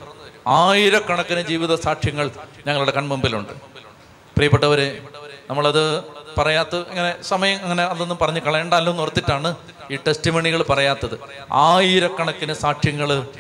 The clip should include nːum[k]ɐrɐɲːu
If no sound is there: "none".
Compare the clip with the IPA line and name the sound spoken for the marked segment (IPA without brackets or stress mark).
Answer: p